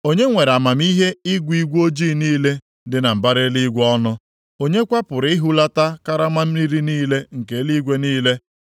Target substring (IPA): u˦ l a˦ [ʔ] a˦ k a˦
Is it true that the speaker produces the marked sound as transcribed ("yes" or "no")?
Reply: no